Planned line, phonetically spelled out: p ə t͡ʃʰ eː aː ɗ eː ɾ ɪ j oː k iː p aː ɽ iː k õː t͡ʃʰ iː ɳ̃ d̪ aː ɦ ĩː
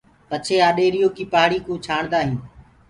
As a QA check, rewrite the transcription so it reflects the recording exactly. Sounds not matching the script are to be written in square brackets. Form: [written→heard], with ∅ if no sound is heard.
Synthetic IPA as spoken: p ə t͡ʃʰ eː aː ɗ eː ɾ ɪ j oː k iː p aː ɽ iː k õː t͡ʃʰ [iː→aː] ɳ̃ d̪ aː ɦ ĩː